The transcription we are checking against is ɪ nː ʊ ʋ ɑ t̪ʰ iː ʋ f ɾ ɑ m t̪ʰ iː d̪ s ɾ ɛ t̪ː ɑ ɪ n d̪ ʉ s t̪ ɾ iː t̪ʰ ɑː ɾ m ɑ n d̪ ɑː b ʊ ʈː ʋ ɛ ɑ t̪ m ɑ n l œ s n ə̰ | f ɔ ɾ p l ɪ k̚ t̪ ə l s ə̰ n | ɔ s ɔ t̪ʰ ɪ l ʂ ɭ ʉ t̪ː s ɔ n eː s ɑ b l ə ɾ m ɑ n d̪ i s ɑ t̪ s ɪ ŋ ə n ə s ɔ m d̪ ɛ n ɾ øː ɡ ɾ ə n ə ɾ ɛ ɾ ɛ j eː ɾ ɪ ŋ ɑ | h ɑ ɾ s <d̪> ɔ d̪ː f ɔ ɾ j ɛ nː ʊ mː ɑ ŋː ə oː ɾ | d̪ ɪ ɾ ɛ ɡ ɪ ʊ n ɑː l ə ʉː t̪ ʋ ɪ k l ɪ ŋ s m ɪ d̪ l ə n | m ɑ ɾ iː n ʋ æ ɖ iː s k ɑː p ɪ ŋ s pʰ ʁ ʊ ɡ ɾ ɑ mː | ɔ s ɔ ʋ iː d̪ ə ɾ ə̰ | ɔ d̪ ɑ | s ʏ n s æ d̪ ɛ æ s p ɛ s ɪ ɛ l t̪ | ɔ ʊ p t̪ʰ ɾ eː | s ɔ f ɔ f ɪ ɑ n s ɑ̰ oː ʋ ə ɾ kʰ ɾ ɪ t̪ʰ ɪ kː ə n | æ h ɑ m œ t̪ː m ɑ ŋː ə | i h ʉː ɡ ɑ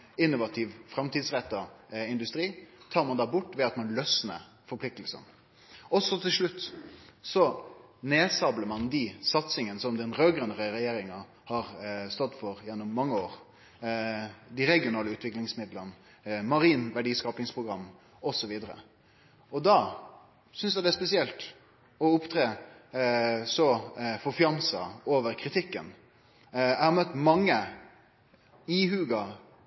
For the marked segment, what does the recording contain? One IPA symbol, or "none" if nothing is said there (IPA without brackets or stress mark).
t̪